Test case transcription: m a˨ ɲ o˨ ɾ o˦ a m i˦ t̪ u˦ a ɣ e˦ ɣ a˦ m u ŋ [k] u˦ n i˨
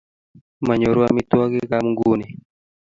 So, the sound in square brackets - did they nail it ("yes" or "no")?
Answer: no